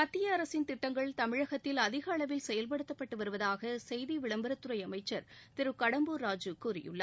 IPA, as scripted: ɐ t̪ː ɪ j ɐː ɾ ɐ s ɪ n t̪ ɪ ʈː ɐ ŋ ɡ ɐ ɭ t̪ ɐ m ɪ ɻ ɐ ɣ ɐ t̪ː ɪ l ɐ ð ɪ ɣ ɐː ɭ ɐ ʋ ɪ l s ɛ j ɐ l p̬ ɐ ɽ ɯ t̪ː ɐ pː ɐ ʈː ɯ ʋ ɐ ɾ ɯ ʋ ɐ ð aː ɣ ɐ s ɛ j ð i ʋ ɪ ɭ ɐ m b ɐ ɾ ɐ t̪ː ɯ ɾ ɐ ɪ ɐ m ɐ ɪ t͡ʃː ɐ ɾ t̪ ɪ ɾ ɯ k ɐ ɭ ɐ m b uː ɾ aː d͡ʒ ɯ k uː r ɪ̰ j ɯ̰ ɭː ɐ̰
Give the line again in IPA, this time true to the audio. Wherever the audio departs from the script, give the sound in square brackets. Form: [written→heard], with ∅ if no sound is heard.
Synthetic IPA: ɐ t̪ː ɪ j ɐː ɾ ɐ s ɪ n t̪ ɪ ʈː ɐ ŋ ɡ ɐ ɭ t̪ ɐ m ɪ ɻ ɐ ɣ ɐ t̪ː ɪ l ɐ ð ɪ ɣ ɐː ɭ ɐ ʋ ɪ l s ɛ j ɐ l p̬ ɐ ɽ ɯ t̪ː ɐ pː ɐ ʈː ɯ ʋ ɐ ɾ ɯ ʋ ɐ ð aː ɣ ɐ s ɛ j ð i ʋ ɪ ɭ ɐ m b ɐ ɾ ɐ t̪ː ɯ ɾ ɐ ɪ ɐ m ɐ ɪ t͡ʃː ɐ ɾ t̪ ɪ ɾ ɯ k ɐ [ɭ→ɽ] ɐ m b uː ɾ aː d͡ʒ ɯ k uː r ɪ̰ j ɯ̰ ɭː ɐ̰